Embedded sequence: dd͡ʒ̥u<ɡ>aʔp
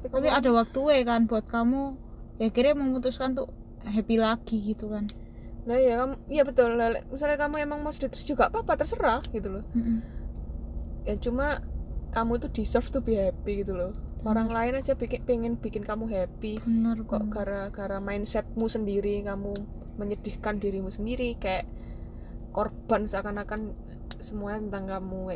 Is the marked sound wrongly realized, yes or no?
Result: no